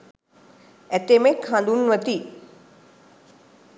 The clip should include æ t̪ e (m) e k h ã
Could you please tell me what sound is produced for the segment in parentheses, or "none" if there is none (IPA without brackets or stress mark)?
m